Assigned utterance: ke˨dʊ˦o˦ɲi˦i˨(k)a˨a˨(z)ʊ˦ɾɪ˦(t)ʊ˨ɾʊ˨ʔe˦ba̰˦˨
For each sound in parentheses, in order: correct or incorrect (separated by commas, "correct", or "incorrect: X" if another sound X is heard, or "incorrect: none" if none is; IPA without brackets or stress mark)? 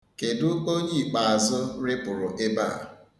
incorrect: k͡p, correct, incorrect: p